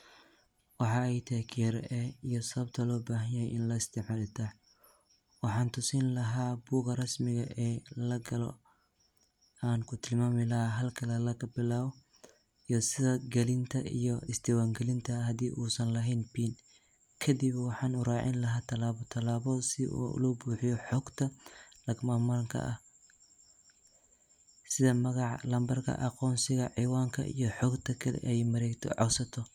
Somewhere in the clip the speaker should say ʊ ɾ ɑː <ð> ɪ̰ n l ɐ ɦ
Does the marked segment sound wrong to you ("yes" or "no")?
yes